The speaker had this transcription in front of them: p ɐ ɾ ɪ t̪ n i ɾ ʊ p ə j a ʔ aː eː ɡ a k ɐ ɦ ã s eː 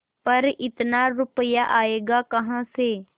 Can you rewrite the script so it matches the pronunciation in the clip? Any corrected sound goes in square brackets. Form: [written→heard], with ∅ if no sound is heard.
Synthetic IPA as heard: p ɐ ɾ ɪ t̪ n [i→a] ɾ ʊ p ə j a ʔ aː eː ɡ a k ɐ ɦ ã s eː